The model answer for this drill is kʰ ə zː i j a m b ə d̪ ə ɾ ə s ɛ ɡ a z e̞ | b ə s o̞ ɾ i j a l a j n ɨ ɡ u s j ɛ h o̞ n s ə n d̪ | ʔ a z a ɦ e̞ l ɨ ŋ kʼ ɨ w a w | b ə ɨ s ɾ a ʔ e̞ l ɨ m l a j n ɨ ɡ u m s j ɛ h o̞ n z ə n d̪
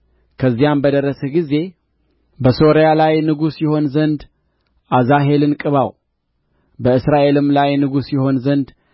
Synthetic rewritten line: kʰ ə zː i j a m b ə d̪ ə ɾ ə s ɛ ɡ i z e̞ | b ə s o̞ ɾ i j a l a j n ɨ ɡ u s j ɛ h o̞ n z ə n d̪ | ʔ a z a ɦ e̞ l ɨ n kʼ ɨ β a w | b ə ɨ s ɾ a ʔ e̞ l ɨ m l a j n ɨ ɡ u s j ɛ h o̞ n z ə n d̪

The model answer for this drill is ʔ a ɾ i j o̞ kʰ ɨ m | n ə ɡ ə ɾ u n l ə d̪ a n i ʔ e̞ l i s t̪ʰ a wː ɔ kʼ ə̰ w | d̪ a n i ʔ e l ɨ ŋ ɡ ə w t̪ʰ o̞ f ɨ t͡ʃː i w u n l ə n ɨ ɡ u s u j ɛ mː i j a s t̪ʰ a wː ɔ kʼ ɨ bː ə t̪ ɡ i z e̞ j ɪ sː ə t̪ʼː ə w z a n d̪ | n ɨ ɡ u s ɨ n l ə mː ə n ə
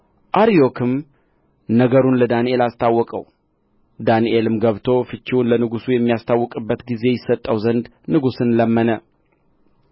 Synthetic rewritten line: ʔ a ɾ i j o̞ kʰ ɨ m | n ə ɡ ə ɾ u n l ə d̪ a n i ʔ e̞ l a s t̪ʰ a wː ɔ kʼ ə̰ w | d̪ a n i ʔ e l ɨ m ɡ ə β t̪ʰ o̞ f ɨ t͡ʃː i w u n l ə n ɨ ɡ u s u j ɛ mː i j a s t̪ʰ a wː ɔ kʼ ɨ bː ə t̪ ɡ i z e̞ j ɪ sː ə t̪ʼː ə w z ə n d̪ | n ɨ ɡ u s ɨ n l ə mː ə n ə

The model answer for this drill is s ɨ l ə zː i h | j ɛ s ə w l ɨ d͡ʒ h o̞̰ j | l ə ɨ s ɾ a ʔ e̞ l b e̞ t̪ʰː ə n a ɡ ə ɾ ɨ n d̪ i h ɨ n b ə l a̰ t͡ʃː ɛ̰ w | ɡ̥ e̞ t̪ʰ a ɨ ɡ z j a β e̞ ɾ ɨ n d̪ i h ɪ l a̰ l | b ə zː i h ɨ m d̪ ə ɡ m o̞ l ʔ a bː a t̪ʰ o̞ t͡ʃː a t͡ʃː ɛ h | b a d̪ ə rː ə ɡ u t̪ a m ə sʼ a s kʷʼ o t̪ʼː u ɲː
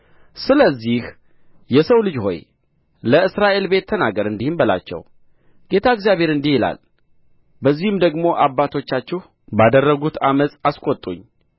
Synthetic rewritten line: s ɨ l ə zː i h | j ɛ s ə w l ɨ d͡ʒ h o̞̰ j | l ə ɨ s ɾ a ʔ e̞ l b e̞ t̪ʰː ə n a ɡ ə ɾ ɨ n d̪ i h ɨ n b ə l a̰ t͡ʃː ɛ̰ w | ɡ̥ e̞ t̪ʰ a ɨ ɡ z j a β e̞ ɾ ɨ n d̪ i h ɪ l a̰ l | b ə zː i h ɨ m d̪ ə ɡ m o̞ ʔ a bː a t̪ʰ o̞ t͡ʃː a t͡ʃː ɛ h | b a d̪ ə rː ə ɡ u t̪ a m ə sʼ a s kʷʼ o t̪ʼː u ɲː

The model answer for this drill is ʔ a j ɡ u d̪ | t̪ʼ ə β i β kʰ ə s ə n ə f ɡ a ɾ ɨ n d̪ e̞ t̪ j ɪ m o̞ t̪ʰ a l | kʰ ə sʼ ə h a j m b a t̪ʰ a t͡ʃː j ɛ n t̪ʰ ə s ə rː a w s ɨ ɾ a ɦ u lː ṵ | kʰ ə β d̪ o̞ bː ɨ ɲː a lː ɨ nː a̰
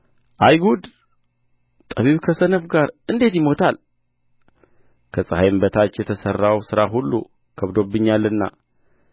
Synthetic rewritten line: ʔ a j ɡ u d̪ | t̪ʼ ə β i β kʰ ə s ə n ə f ɡ a ɾ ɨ n d̪ e̞ t̪ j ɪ m o̞ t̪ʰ a l | kʰ ə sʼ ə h a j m b ə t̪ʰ a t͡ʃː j ɛ t̪ʰ ə s ə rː a w s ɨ ɾ a ɦ u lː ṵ | kʰ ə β d̪ o̞ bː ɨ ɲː a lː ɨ nː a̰

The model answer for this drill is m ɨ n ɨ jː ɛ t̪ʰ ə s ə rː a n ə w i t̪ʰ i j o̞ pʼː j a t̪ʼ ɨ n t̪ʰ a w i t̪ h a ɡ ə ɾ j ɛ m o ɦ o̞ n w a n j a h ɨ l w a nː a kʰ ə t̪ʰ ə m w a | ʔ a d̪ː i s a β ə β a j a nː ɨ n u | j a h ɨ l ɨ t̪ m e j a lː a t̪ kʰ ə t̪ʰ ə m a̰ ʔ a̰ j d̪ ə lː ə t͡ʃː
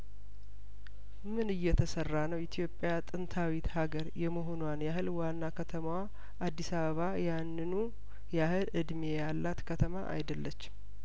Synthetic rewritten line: m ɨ n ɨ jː ɛ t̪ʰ ə s ə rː a n ə w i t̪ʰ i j o̞ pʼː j a t̪ʼ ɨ n t̪ʰ a w i t̪ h a ɡ ə ɾ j ɛ m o ɦ o̞ n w a n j a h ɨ l w a nː a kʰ ə t̪ʰ ə m w a | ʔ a d̪ː i s a β ə β a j a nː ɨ n u | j a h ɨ l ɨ d̪ m e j a lː a t̪ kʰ ə t̪ʰ ə m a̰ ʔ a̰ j d̪ ə lː ə t͡ʃː

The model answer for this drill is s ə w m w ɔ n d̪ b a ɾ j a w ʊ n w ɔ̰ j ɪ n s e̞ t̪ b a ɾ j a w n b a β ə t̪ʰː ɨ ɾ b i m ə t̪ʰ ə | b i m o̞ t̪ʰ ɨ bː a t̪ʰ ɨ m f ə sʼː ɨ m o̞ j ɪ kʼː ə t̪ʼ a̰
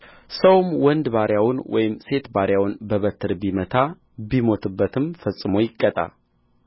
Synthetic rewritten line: s ə w m w ɔ n d̪ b a ɾ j a w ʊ n w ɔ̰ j ɪ m s e̞ t̪ b a ɾ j a w n b ə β ə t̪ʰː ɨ ɾ b i m ə t̪ʰ a | b i m o̞ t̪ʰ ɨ bː ə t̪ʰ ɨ m f ə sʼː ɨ m o̞ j ɪ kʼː ə t̪ʼ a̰

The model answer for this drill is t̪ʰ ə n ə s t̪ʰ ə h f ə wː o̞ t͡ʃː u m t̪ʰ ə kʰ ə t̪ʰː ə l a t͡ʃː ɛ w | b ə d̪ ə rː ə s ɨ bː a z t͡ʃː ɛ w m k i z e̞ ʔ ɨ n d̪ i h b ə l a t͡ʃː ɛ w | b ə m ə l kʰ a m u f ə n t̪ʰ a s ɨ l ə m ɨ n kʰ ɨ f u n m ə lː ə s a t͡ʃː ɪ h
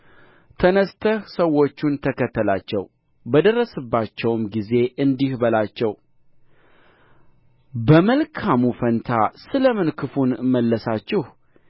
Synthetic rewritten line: t̪ʰ ə n ə s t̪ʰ ə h s ə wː o̞ t͡ʃː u n t̪ʰ ə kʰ ə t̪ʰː ə l a t͡ʃː ɛ w | b ə d̪ ə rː ə s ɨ bː a t͡ʃː ɛ w m ɡ i z e̞ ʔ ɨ n d̪ i h b ə l a t͡ʃː ɛ w | b ə m ə l kʰ a m u f ə n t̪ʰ a s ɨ l ə m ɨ n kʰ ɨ f u n m ə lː ə s a t͡ʃː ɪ h

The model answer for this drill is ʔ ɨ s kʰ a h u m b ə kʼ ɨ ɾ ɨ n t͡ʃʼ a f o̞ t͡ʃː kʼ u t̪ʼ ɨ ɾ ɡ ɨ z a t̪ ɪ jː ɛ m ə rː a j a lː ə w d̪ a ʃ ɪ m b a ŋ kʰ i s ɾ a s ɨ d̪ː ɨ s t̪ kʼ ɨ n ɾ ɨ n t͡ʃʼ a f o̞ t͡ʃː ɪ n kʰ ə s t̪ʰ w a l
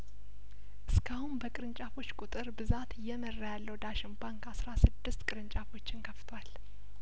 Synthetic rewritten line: ʔ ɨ s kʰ a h u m b ə kʼ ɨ ɾ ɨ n t͡ʃʼ a f o̞ t͡ʃː kʼ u t̪ʼ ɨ ɾ b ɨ z a t̪ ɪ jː ɛ m ə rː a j a lː ə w d̪ a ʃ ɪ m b a ŋ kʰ a s ɾ a s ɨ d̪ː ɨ s t̪ kʼ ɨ ɾ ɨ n t͡ʃʼ a f o̞ t͡ʃː ɪ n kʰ ə f t̪ʰ w a l

